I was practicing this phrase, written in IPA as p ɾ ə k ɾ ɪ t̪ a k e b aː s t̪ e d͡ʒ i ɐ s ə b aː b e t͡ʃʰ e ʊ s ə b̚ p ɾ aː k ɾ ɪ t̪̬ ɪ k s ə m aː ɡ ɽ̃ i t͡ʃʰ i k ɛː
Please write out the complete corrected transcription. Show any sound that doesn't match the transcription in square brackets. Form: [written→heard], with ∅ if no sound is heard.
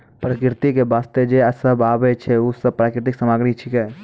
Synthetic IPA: p ɾ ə k ɾ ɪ t̪ [a→i] k e b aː s t̪ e d͡ʒ [i→e] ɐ s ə b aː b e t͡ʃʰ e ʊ s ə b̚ p ɾ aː k ɾ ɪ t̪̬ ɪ k s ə m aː ɡ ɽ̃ i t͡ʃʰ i k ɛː